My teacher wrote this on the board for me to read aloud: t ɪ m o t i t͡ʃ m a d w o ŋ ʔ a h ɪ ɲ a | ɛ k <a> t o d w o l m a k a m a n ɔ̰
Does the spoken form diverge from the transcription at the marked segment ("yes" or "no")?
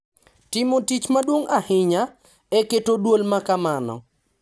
yes